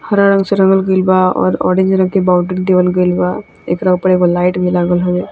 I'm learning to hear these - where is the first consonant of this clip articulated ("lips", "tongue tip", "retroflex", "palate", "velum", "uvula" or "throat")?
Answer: throat